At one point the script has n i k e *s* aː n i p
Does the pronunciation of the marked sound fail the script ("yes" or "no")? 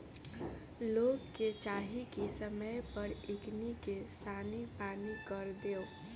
no